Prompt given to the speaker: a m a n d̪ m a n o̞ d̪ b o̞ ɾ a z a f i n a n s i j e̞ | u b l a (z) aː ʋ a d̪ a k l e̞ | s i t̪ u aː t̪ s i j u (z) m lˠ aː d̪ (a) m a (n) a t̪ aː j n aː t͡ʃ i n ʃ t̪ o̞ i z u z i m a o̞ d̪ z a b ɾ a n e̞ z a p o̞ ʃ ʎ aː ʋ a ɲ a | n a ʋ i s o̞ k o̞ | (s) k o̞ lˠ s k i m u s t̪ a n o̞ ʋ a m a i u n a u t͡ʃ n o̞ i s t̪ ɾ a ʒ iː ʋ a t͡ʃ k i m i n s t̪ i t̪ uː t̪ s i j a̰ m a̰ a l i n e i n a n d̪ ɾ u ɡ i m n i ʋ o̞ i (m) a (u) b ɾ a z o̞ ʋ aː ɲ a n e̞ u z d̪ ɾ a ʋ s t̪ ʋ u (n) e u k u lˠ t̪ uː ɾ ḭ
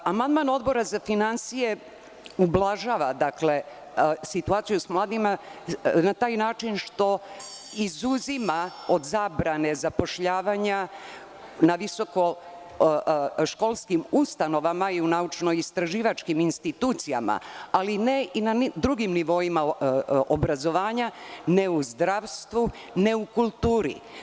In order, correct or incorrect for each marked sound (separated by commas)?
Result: incorrect, incorrect, incorrect, correct, incorrect, correct, incorrect, correct